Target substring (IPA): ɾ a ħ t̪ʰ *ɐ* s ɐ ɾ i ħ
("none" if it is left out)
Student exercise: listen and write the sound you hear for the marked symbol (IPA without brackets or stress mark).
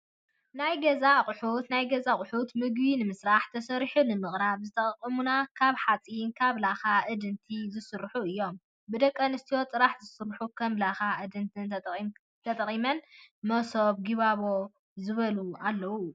ɐ